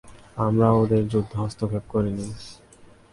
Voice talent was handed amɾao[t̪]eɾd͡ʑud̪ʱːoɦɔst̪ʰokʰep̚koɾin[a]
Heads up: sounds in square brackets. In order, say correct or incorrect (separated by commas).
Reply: incorrect, incorrect